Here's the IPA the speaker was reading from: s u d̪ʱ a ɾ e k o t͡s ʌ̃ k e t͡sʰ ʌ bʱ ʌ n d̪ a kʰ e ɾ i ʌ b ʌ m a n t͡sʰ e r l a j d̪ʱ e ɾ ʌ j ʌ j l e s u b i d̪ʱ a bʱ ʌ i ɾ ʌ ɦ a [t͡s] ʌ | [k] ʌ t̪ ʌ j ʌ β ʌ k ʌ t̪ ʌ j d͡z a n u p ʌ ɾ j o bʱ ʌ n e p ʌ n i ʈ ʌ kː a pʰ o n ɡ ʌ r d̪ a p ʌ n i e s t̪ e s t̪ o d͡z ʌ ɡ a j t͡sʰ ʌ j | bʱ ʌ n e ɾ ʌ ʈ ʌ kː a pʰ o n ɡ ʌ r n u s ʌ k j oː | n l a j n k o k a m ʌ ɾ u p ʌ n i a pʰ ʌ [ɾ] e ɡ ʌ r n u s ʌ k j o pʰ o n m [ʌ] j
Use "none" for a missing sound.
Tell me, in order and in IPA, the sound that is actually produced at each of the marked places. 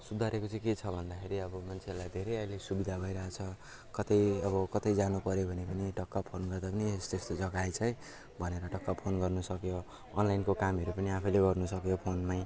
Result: t͡sʰ, k, l, a

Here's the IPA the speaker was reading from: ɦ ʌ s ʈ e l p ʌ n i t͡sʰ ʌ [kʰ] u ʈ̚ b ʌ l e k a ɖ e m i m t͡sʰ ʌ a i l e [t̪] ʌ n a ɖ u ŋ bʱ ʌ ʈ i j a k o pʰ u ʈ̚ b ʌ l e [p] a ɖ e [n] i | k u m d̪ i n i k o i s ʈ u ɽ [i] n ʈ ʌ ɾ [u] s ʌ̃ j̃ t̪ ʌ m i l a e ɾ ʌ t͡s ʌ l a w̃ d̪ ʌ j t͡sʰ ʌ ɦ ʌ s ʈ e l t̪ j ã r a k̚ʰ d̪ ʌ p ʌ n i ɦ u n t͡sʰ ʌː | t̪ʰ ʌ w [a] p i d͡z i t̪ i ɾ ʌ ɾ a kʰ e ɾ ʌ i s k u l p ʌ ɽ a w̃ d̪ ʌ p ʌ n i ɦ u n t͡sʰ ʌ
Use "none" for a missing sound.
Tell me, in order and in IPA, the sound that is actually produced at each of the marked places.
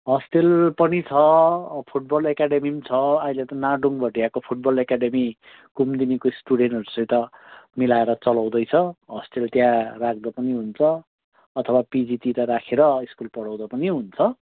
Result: pʰ, t̪, k, m, e, u, a

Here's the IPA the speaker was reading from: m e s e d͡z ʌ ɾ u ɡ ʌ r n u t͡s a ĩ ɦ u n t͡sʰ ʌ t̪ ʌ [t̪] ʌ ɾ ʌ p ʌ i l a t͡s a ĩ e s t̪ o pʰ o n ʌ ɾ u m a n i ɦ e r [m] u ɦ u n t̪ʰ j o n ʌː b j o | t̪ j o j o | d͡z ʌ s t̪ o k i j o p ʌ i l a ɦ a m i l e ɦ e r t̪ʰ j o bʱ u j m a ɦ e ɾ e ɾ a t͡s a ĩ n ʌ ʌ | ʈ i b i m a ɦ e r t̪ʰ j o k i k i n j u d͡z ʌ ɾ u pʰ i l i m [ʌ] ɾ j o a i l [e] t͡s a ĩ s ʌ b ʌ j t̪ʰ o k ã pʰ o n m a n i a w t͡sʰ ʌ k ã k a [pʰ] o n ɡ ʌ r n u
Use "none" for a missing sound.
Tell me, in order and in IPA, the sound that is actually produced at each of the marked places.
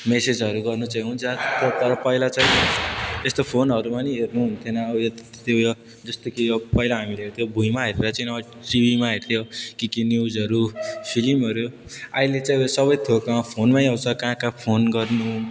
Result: t̪, n, ʌ, e, pʰ

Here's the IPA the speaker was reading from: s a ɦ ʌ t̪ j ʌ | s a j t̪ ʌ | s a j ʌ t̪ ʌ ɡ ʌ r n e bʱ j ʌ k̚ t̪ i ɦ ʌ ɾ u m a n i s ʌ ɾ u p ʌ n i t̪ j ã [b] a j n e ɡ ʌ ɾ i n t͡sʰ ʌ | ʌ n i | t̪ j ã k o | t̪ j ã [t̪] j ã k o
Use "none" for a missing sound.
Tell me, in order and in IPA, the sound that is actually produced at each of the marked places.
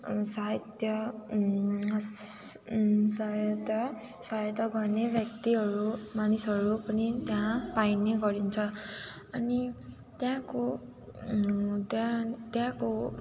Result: p, t̪

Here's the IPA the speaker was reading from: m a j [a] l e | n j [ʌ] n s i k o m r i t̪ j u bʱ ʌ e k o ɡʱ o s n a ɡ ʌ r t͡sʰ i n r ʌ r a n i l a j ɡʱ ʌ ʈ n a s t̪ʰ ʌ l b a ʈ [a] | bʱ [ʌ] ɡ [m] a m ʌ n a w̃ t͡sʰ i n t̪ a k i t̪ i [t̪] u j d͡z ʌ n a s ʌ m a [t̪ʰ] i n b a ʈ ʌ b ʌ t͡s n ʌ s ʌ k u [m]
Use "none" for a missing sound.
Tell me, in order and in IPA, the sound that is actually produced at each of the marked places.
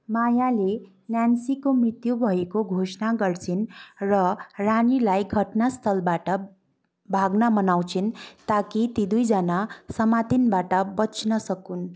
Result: a, a, ʌ, a, n, d̪, t̪, n

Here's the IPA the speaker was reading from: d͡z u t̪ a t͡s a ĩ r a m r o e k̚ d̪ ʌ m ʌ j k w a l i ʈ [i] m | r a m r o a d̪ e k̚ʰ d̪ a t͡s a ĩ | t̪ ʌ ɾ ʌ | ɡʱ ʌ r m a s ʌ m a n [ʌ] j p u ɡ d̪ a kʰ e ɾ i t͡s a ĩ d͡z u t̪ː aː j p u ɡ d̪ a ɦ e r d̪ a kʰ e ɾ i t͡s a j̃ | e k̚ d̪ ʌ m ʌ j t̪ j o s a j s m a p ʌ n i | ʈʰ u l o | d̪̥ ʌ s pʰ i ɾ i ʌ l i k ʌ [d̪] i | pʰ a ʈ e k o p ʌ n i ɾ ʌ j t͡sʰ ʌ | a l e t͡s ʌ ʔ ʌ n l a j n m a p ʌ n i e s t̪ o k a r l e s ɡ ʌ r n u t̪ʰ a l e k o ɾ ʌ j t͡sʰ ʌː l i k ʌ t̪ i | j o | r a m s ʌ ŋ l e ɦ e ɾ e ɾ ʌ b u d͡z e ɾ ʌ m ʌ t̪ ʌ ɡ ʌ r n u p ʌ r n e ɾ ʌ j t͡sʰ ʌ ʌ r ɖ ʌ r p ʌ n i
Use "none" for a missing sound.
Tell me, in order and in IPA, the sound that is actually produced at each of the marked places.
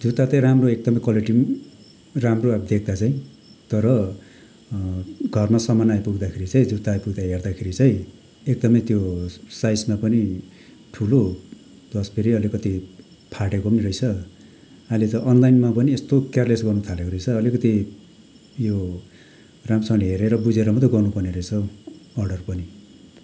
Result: i, a, t̪

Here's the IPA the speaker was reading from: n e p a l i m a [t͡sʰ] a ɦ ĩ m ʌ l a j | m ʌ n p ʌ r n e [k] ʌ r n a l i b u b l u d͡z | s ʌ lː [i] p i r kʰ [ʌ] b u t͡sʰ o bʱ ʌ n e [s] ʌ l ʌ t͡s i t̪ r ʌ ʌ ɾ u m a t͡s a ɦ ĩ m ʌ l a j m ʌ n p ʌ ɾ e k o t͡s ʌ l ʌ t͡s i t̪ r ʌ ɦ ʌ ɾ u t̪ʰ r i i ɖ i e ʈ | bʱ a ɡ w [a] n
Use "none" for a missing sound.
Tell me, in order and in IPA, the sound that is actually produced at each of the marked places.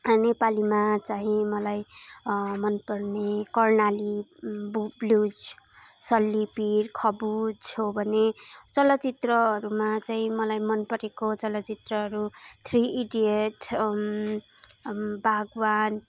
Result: t͡s, k, i, ʌ, t͡s, a

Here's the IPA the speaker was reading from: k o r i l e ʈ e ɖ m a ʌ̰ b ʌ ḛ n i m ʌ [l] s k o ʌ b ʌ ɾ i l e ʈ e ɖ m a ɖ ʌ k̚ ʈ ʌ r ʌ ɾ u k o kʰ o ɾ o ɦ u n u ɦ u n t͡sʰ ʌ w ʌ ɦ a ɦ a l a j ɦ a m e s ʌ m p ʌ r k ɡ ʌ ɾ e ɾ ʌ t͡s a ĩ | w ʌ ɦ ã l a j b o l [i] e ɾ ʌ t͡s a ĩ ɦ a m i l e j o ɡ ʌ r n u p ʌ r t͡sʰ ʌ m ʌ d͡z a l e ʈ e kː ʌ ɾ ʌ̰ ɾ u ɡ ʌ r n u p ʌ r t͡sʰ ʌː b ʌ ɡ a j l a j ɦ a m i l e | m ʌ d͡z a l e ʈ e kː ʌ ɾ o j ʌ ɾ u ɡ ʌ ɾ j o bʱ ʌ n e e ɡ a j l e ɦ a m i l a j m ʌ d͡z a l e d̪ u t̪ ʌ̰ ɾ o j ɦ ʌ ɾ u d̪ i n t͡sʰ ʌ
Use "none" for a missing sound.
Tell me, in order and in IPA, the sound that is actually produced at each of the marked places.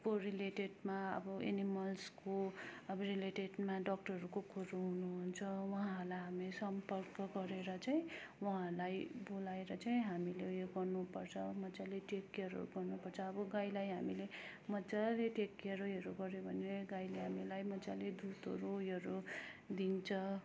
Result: l, a

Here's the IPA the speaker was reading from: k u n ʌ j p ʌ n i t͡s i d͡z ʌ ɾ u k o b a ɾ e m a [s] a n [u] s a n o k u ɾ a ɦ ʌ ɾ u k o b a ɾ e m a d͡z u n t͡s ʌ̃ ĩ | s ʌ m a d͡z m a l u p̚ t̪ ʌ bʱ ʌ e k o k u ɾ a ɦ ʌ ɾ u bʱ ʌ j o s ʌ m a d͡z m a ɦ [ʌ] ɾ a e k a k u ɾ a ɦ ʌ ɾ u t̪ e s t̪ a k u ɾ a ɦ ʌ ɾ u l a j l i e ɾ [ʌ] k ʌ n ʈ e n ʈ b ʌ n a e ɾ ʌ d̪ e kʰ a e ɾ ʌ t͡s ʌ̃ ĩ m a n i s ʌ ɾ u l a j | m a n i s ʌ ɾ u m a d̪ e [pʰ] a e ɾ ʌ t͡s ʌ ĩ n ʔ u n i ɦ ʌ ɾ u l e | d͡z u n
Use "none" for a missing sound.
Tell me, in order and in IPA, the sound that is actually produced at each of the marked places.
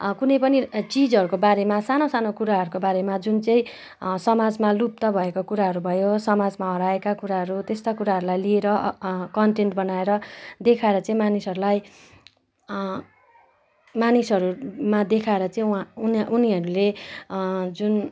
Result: s, o, ʌ, ʌ, kʰ

